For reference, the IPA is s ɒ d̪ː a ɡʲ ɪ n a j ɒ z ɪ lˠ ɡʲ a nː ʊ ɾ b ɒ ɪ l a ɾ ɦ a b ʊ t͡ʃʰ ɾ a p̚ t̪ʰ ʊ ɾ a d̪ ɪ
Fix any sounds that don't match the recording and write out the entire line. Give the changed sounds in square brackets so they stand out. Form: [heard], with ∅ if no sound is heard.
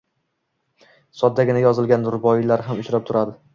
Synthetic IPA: s ɒ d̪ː a ɡʲ ɪ n a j ɒ z ɪ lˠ ɡʲ a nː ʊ ɾ b ɒ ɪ l a ɾ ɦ a [m] ʊ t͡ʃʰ ɾ a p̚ t̪ʰ ʊ ɾ a d̪ ɪ